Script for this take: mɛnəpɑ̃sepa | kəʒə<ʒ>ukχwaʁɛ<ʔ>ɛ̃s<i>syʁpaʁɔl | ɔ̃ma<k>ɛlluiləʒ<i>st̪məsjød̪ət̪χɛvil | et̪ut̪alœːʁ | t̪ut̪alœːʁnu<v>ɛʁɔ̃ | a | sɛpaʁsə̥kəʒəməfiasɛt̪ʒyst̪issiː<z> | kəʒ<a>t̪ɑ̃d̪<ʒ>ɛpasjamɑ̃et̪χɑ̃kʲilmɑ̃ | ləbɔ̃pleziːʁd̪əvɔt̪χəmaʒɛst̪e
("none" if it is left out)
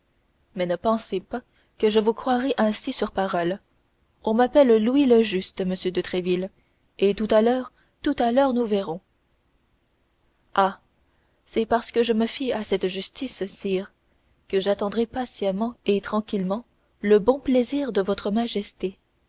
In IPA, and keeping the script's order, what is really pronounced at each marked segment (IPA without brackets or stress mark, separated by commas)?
v, ʔ, i, p, y, v, ʁ, a, ʁ